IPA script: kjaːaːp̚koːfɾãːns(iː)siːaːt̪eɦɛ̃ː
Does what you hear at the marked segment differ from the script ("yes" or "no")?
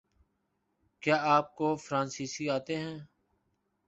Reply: no